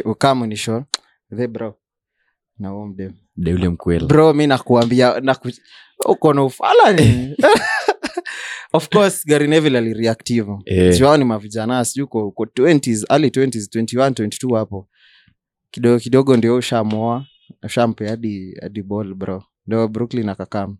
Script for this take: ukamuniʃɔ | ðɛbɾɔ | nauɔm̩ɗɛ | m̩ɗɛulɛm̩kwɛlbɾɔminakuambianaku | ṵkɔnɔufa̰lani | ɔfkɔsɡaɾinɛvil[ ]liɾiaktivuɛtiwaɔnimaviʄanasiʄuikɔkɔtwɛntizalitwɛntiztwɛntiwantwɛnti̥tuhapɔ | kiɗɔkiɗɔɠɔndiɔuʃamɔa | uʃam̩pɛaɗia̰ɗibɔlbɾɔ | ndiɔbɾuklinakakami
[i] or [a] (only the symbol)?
a